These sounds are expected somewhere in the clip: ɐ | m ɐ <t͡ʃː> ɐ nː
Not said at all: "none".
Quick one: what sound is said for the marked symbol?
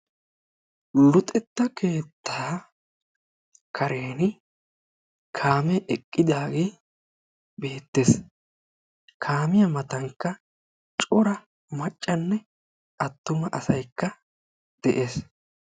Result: t͡ʃʼː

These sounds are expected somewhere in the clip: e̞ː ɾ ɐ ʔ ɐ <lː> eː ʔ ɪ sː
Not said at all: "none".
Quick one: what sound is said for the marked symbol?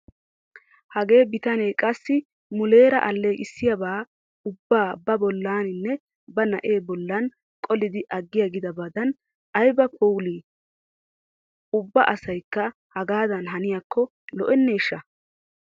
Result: lː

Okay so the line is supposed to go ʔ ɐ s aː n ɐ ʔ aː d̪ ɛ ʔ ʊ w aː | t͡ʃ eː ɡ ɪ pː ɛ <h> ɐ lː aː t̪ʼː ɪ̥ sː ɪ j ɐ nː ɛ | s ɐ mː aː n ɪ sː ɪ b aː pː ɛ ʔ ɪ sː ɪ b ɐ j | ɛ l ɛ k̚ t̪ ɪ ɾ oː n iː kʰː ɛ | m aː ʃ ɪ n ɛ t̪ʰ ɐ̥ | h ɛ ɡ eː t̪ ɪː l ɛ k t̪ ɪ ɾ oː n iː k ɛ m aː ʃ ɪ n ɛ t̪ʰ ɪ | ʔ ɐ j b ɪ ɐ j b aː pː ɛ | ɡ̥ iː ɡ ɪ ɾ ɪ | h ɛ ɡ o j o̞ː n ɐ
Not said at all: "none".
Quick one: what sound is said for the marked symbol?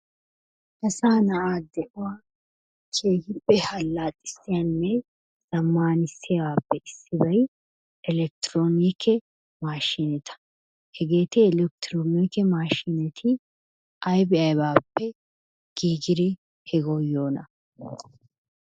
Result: h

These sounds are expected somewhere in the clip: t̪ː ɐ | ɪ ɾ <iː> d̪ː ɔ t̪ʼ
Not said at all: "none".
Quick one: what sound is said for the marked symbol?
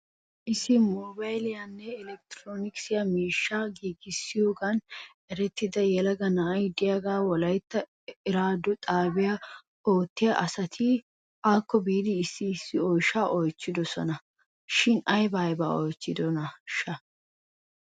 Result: aː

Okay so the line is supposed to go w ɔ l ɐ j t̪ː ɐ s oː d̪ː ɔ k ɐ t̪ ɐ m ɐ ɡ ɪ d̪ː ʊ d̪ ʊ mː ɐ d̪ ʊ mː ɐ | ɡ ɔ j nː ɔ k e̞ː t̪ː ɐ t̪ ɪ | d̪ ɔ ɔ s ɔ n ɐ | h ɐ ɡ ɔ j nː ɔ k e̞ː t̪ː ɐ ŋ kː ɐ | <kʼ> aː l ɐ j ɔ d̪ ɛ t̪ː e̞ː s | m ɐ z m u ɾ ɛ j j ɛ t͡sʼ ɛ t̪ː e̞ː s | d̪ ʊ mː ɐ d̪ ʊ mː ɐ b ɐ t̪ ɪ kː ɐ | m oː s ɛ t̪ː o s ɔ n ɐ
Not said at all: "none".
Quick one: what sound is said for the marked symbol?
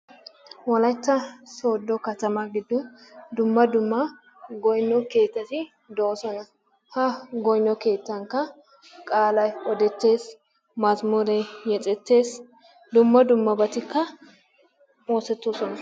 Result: kʼ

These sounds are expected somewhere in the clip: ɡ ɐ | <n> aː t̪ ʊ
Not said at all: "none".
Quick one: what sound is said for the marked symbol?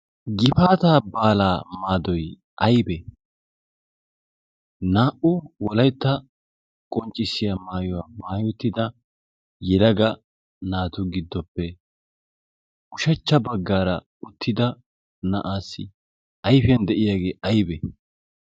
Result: n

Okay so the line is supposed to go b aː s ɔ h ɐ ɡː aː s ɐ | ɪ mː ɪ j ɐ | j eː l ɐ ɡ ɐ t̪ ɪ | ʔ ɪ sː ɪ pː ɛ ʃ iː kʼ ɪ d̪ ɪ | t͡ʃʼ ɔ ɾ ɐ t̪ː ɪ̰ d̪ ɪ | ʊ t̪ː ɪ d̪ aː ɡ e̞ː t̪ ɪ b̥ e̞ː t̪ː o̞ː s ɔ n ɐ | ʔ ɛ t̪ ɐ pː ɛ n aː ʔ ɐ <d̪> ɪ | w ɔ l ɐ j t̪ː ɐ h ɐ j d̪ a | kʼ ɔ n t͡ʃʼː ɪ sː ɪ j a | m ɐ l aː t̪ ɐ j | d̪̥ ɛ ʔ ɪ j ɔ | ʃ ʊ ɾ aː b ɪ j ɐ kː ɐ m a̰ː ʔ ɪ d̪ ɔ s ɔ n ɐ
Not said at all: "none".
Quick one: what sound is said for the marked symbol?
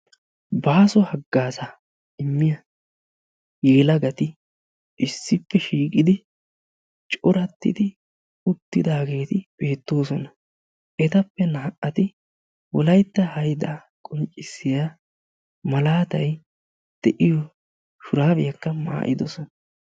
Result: t̪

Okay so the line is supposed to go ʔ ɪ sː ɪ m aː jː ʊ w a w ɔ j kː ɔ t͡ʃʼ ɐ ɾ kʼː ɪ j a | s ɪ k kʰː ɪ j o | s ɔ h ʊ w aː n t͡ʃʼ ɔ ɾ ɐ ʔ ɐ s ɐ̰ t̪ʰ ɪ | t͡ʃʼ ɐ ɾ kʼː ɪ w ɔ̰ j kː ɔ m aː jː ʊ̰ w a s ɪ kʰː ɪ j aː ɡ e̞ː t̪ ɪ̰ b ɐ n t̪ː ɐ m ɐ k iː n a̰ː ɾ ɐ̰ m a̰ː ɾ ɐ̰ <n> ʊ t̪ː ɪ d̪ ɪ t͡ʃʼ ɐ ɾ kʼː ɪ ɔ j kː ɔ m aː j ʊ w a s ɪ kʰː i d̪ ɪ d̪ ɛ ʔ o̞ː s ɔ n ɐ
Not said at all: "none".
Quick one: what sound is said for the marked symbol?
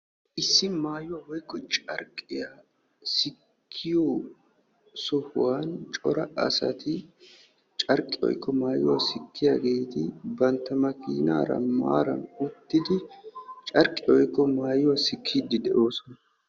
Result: n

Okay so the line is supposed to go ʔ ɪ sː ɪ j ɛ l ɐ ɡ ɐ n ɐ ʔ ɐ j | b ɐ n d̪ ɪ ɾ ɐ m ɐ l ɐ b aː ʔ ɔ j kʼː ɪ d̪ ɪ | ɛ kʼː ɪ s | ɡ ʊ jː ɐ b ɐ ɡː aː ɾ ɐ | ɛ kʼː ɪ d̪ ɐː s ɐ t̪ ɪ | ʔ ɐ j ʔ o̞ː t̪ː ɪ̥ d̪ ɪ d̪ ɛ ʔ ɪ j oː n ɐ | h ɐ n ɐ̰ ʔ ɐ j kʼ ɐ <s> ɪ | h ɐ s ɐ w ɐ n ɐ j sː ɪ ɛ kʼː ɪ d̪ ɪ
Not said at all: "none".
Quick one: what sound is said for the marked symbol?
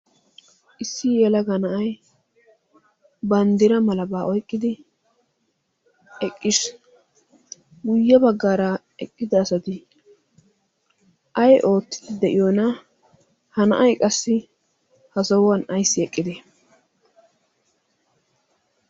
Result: sː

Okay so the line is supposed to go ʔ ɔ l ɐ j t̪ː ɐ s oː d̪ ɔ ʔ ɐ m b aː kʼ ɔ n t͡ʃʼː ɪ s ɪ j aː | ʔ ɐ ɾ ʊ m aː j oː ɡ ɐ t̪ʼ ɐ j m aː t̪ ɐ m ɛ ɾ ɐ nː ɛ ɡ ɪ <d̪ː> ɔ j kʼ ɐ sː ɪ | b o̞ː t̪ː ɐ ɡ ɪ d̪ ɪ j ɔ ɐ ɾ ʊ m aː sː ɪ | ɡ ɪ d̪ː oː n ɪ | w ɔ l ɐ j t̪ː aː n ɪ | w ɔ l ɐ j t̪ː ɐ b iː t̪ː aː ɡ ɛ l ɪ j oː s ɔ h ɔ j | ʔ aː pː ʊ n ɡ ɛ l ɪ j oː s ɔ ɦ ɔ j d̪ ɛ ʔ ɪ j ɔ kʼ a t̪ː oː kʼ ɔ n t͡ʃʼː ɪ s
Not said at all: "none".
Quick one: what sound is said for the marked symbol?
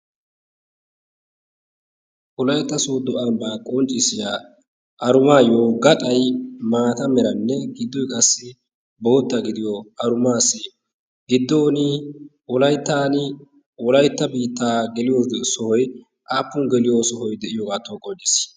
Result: d̪ː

